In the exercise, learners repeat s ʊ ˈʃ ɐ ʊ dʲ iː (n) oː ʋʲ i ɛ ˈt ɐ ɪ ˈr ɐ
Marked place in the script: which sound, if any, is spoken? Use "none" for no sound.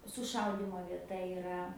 m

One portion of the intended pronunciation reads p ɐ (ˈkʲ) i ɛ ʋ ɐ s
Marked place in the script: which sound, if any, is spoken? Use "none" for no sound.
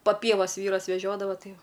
pʲ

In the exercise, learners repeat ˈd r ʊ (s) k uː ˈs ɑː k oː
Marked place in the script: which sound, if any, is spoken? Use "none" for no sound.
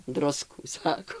s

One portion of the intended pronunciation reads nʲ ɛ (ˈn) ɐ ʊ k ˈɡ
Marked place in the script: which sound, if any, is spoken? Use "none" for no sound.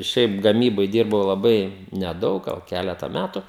d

